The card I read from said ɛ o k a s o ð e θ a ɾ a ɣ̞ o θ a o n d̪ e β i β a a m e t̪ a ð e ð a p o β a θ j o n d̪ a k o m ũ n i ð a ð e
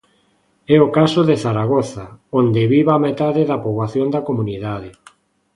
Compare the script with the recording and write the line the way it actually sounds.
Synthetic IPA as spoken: ɛ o k a s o ð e θ a ɾ a ɣ̞ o θ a o n d̪ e β i β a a m e t̪ a ð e ð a p o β a θ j o n d̪ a k o m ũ n i ð a ð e